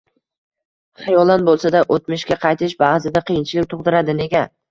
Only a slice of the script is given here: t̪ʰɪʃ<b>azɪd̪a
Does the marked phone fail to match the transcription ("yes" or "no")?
no